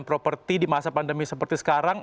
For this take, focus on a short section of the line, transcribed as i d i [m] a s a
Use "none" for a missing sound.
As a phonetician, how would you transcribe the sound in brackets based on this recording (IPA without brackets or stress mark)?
m